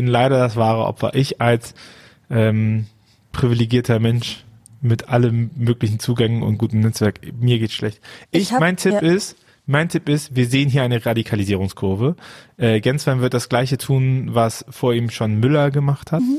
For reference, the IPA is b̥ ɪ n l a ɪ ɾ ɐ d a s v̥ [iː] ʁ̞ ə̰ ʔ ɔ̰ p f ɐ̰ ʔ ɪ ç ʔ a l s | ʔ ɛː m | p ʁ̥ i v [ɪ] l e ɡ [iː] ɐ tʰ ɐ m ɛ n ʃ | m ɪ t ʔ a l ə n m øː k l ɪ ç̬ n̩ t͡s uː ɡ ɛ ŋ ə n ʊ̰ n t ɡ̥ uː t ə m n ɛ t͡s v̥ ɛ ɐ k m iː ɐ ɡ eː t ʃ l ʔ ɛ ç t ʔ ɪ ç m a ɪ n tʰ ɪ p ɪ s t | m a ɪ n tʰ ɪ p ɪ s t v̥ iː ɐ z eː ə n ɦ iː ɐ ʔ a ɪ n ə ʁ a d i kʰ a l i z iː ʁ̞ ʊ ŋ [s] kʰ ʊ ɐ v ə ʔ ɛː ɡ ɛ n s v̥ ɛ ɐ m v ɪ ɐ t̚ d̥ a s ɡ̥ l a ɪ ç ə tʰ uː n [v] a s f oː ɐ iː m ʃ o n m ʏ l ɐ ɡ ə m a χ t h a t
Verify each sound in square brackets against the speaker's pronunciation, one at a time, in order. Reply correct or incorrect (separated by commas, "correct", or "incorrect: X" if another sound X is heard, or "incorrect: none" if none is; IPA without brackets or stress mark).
incorrect: aː, incorrect: i, correct, correct, correct